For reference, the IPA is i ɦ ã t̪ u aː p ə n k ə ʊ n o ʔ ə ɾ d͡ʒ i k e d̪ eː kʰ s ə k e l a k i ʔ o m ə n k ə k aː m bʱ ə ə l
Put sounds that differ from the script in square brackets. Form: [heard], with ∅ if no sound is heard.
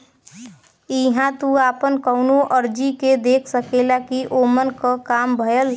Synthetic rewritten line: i ɦ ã t̪ u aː p ə n k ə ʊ n o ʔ ə ɾ d͡ʒ i k e d̪ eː kʰ s ə k e l a k i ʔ o m ə n k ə k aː m bʱ ə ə l